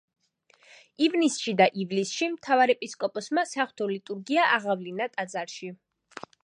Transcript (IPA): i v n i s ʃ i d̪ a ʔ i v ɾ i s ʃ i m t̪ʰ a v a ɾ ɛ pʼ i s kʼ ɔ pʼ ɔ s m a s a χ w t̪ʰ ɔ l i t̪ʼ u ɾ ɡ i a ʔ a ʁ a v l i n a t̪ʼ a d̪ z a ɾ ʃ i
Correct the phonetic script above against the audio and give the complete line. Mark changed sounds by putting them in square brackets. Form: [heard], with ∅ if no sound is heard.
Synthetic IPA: i v n i s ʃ i d̪ a ʔ i v [l] i s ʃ i m t̪ʰ a v a ɾ ɛ pʼ i s kʼ ɔ pʼ ɔ s m a s a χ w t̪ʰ ɔ l i t̪ʼ u ɾ ɡ i a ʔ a ʁ a v l i n a t̪ʼ a d̪ z a ɾ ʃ i